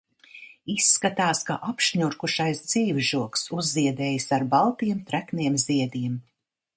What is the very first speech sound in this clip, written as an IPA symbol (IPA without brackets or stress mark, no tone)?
i